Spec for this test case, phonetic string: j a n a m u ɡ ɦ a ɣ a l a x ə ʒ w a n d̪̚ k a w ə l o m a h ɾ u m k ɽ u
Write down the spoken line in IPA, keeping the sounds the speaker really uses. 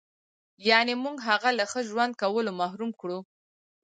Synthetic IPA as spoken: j ɑ n e m u ɡ ɦ a ɣ a l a x ə ʒ w a n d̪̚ k a w ə l o m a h ɾ u m k ɽ u